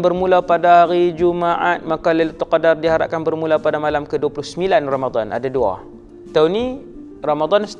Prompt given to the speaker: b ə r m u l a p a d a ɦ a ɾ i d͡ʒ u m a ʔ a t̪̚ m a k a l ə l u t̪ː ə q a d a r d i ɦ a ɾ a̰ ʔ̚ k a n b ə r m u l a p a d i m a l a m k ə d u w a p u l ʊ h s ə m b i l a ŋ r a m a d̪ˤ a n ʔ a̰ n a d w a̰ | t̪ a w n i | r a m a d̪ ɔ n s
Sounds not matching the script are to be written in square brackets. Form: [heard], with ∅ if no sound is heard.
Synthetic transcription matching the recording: b ə r m u l a p a d a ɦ a ɾ i d͡ʒ u m a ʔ a t̪̚ m a k a l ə l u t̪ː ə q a d a r d i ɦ a ɾ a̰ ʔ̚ k a n b ə r m u l a p a d [a] m a l a m k ə d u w a p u l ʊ h s ə m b i l a [n] r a m a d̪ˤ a n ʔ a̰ [d] a d [u] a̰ | t̪ a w n i | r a m a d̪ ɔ n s